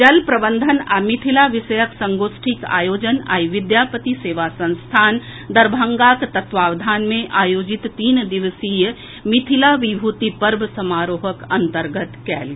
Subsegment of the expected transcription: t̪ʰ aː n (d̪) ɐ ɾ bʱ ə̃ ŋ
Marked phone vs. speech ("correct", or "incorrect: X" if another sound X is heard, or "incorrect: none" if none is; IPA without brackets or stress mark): correct